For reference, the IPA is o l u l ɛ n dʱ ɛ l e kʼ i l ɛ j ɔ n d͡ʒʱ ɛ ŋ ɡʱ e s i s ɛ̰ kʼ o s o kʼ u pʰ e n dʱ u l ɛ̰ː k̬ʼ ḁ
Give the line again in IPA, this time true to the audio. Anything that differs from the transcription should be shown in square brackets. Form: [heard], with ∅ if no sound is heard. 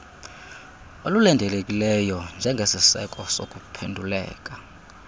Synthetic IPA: o l u l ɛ n dʱ ɛ l e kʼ i l ɛ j ɔ n d͡ʒʱ ɛ ŋ ɡʱ e s i s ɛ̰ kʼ [ɔ] s o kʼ u pʰ e n dʱ u l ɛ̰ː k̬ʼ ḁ